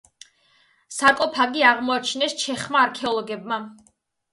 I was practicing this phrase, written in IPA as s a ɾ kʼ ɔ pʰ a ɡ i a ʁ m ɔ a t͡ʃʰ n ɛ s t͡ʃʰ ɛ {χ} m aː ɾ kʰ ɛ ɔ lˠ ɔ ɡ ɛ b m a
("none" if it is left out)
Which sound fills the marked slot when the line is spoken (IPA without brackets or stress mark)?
χ